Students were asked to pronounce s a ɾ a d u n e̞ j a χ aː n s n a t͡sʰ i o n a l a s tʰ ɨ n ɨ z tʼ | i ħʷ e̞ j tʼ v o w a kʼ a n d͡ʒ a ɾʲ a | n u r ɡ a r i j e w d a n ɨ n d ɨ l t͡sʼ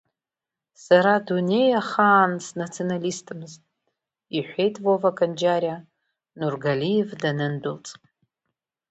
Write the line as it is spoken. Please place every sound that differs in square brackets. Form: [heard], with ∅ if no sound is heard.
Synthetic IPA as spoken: s a ɾ a d u n e̞ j a χ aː n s n a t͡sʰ i o n a l [i] s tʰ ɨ [m] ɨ z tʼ | i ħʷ e̞ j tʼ v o [v] a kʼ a n d͡ʒ a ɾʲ a | n u r ɡ a [l] i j e [v] d a n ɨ n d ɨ l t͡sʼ